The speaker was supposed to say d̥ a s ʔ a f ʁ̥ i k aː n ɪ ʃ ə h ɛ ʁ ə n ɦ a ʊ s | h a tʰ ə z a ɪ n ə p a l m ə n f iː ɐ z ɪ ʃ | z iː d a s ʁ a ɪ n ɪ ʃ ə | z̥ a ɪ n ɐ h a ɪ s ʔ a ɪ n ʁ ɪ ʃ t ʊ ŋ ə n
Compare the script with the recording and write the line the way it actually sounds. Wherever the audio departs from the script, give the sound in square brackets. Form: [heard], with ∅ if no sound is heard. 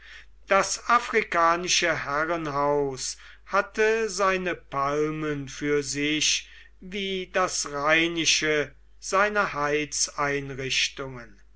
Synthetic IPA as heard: d̥ a s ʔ a f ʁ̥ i k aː n ɪ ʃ ə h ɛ ʁ ə n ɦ a ʊ s | h a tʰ ə z a ɪ n ə p a l m ə n f [yː] ɐ z ɪ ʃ | [v] iː d a s ʁ a ɪ n ɪ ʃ ə | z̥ a ɪ n ɐ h a ɪ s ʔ a ɪ n ʁ ɪ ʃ t ʊ ŋ ə n